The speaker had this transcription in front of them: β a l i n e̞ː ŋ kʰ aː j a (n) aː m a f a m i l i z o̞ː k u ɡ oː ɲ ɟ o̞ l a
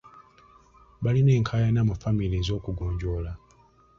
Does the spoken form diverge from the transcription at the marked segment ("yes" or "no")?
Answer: no